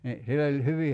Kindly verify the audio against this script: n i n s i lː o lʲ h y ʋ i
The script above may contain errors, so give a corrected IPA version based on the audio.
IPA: n i s i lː o lʲ h y ʋ i

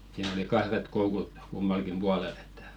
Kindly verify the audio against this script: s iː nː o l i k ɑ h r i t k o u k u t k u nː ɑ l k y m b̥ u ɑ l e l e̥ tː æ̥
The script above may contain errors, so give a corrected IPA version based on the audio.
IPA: s iː n o l i k ɑ h r e t k o u k u t k u mː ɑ l k i m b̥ u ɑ l e l e̥ tː æ̥

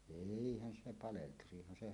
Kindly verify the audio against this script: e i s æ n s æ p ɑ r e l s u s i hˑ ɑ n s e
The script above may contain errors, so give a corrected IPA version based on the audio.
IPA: e i h æ n s e p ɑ l e l t u s i hˑ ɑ n s e

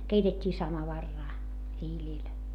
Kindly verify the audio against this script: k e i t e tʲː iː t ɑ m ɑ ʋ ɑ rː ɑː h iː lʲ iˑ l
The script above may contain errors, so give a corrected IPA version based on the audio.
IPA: k e i t e tʲː iː s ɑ m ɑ ʋ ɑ rː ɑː h iː lʲ iˑ l

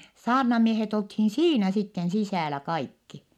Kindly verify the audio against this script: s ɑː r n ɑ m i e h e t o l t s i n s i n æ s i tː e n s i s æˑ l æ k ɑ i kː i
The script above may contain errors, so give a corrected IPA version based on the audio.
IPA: s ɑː r n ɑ m i e h e t o l t h i n s iː n æ s i tː e n s i s æˑ l æ k ɑ i kː i

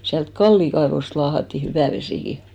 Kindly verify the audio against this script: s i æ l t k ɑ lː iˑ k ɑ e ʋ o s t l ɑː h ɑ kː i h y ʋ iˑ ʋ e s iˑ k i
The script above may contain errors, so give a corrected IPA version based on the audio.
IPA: s i æ l t k ɑ lː iˑ k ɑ e ʋ o s t l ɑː h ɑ tː i h y ʋ æˑ ʋ e s iˑ k i

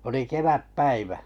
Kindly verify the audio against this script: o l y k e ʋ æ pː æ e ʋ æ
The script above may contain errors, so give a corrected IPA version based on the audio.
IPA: o l i k e ʋ æ pː æ i ʋ æ

